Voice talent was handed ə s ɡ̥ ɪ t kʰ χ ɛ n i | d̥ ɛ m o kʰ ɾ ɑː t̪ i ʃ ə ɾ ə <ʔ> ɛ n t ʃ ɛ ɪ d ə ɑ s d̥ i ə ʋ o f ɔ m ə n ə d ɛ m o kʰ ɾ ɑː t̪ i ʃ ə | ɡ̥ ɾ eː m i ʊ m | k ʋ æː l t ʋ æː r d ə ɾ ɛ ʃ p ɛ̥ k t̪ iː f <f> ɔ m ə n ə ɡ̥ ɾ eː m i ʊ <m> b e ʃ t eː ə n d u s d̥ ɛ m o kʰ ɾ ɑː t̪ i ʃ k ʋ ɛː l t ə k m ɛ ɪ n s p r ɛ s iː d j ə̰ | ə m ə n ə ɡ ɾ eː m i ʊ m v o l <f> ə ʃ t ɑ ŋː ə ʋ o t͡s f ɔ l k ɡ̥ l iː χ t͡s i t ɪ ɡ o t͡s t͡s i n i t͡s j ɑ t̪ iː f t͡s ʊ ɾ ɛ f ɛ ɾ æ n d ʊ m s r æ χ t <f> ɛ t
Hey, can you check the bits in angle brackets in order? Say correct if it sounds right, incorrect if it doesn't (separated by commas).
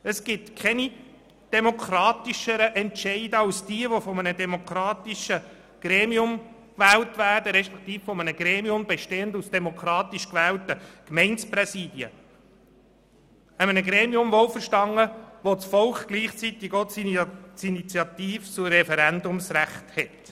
correct, correct, correct, correct, incorrect